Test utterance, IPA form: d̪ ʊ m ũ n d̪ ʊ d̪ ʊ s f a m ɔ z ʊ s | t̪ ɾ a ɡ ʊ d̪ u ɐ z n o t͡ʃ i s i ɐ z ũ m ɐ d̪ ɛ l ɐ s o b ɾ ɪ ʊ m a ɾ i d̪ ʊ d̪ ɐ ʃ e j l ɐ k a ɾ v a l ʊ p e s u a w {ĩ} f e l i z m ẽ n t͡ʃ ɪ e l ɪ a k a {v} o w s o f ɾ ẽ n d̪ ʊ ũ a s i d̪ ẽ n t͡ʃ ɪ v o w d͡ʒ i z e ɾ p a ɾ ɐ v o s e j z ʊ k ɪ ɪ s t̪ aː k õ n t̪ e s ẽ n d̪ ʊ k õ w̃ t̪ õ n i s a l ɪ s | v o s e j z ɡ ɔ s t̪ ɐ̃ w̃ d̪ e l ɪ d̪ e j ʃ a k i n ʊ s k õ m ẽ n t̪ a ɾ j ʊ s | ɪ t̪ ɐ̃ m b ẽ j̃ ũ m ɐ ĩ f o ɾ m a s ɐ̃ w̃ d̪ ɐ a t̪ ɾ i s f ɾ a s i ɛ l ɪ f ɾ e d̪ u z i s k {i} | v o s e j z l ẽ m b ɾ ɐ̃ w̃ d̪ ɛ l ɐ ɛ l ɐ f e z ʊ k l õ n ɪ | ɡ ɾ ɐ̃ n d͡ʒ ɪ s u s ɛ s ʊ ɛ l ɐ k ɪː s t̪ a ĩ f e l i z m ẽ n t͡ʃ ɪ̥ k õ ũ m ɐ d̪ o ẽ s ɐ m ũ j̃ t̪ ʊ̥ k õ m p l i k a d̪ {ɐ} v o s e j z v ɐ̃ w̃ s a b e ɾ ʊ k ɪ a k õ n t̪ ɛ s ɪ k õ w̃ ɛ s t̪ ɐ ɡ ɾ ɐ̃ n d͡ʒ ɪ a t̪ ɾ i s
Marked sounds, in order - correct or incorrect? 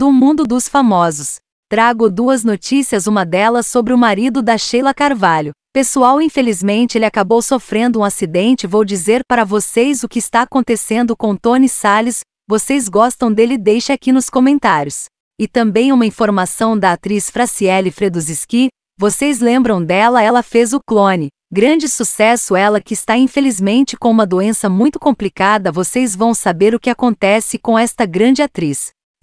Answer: correct, incorrect: b, correct, correct

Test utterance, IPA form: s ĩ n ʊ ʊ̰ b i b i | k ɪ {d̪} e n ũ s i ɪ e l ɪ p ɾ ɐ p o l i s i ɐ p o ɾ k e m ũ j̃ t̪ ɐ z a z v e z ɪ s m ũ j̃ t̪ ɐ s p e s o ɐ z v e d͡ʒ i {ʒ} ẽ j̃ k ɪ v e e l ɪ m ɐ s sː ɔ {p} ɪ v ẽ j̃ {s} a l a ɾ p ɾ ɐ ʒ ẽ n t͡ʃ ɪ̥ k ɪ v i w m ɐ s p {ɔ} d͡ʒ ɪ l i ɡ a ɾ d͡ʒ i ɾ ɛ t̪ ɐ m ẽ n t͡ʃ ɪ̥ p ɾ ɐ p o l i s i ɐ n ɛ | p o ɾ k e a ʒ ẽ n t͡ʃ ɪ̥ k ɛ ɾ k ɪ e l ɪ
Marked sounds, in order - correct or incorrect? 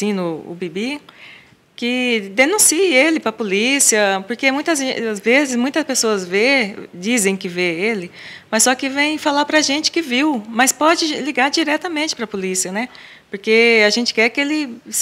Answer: correct, incorrect: z, incorrect: k, incorrect: f, correct

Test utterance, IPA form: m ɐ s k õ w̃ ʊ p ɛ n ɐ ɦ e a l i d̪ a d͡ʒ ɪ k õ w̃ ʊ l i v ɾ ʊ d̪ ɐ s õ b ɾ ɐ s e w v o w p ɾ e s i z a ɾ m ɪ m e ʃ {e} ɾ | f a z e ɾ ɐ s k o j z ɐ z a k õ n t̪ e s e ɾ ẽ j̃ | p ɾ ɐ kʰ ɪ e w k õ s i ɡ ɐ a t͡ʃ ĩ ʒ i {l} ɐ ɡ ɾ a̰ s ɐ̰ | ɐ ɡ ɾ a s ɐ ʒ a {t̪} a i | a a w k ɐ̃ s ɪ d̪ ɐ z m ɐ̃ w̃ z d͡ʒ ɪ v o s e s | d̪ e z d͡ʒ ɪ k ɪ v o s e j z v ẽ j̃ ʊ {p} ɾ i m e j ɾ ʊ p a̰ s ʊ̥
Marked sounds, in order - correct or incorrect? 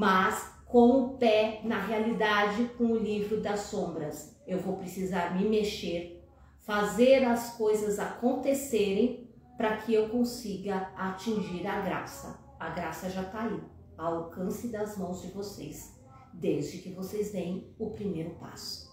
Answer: correct, incorrect: ɾ, correct, correct

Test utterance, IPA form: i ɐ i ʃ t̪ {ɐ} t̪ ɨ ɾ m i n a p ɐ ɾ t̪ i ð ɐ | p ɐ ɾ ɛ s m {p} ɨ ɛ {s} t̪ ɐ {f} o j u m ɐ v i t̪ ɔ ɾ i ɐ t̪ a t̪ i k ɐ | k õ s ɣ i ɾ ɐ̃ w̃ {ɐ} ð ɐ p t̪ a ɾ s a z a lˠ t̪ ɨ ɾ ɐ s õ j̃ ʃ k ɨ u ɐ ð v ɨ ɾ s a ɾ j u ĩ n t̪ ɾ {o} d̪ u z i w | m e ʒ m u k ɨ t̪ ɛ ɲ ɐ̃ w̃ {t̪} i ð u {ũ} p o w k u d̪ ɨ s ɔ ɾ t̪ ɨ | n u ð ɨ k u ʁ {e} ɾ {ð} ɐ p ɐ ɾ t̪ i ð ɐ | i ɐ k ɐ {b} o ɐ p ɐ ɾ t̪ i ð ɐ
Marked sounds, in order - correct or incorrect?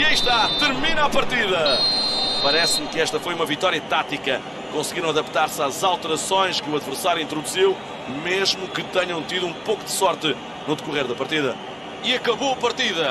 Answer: incorrect: a, incorrect: k, incorrect: ʃ, correct, correct, incorrect: u, correct, correct, correct, correct, incorrect: β

